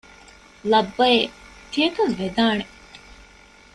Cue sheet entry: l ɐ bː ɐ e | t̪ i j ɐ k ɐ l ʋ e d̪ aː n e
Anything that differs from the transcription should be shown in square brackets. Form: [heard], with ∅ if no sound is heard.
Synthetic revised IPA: l ɐ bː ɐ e | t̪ i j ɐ k ɐ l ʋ e d̪ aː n e